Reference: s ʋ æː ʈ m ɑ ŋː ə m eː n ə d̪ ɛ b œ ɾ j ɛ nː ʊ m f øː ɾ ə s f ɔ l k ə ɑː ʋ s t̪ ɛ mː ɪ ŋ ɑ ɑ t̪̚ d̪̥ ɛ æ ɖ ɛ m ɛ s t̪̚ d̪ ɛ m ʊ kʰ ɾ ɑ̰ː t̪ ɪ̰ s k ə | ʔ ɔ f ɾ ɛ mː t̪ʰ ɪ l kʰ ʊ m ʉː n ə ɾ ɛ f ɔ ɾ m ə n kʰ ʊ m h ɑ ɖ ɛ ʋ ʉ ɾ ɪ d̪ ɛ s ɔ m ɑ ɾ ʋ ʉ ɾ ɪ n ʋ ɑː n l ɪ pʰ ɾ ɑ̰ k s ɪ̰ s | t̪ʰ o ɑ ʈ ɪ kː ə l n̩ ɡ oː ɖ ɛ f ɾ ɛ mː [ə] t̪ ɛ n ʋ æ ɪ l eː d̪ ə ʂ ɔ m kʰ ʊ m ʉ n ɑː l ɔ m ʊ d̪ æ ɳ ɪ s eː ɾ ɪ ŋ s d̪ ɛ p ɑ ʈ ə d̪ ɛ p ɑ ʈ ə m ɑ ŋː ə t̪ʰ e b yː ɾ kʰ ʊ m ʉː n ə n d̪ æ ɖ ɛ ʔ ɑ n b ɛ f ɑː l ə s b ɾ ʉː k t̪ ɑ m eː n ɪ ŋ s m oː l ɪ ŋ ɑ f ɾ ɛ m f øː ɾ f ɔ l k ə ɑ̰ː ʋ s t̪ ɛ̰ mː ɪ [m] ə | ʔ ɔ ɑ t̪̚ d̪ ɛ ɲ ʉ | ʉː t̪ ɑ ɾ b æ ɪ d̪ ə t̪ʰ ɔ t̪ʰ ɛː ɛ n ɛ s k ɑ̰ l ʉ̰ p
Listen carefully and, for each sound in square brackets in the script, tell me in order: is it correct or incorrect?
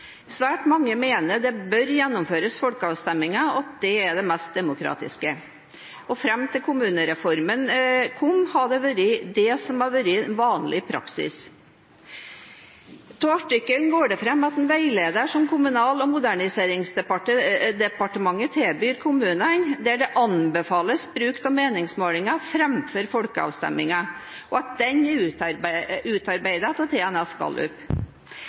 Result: incorrect, incorrect

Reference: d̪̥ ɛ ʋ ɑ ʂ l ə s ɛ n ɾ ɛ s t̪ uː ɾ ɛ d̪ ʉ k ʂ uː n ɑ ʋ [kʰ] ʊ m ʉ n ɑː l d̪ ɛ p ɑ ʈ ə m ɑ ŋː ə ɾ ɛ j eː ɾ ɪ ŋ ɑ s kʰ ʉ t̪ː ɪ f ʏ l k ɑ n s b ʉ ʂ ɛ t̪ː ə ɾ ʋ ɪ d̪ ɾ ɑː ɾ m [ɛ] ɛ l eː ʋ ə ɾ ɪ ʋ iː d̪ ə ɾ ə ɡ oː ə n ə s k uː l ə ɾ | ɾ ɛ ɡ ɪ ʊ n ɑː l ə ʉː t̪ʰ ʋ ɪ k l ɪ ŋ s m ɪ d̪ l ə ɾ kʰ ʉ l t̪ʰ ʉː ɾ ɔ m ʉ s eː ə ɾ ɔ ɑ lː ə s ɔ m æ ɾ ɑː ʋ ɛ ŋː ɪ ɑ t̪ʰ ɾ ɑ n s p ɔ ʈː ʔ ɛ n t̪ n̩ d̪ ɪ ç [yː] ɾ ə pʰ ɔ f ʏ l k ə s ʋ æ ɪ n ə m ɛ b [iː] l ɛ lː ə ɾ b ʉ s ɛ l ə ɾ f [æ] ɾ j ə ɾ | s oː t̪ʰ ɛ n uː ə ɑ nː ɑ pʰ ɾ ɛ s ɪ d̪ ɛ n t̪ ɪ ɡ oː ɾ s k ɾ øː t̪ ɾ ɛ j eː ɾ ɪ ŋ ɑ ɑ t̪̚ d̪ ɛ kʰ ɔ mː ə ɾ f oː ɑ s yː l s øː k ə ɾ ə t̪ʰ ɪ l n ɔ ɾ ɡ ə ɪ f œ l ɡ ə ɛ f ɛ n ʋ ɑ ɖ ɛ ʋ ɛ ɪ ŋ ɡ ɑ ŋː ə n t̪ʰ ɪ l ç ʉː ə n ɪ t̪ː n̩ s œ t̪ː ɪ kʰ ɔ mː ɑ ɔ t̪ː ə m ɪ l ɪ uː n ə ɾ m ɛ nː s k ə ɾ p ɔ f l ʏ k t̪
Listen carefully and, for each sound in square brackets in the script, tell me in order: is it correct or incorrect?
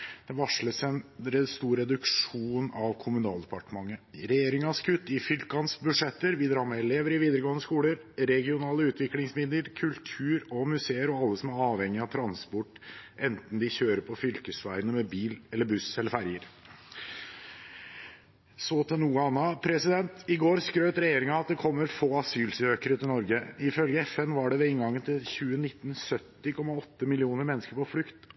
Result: correct, correct, incorrect, correct, correct

